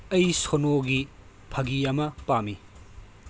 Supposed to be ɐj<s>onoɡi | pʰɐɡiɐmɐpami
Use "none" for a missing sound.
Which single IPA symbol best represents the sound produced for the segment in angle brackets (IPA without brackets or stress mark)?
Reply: s